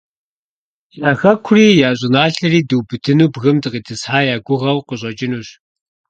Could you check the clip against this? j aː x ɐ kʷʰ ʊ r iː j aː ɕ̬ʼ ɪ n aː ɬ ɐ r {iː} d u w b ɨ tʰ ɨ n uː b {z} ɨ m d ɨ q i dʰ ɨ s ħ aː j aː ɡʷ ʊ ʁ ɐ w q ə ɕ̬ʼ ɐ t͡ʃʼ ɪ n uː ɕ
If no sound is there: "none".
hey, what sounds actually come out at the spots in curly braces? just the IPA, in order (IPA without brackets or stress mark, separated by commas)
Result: iː, ɣ